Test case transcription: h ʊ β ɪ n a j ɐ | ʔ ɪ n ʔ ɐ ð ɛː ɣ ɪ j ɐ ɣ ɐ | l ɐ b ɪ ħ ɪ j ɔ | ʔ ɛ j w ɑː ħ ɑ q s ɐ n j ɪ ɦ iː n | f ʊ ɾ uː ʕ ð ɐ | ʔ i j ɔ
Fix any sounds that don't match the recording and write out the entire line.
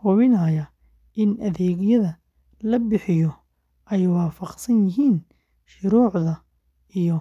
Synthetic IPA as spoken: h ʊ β ɪ n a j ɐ | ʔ ɪ n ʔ ɐ ð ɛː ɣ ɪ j ɐ ð ɐ | l ɐ b ɪ ħ ɪ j ɔ | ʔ ɛ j w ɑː f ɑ q s ɐ n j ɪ ɦ iː n | ʃ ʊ ɾ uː ʕ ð ɐ | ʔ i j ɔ